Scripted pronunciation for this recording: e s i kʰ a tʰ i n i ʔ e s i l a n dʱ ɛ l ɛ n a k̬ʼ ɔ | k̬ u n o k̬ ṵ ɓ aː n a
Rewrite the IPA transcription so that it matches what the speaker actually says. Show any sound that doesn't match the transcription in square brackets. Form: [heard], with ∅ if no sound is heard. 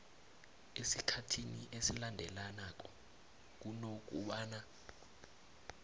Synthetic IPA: e s i kʰ a tʰ i n i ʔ e s i l a n dʱ ɛ l [a] n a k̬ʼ ɔ | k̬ u n o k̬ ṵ ɓ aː n a